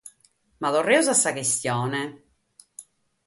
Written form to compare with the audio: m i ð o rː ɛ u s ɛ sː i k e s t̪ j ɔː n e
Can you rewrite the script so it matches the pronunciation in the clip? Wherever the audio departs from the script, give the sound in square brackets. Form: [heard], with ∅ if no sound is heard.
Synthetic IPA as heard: m [a] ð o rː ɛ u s [a] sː [a] k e s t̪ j ɔː n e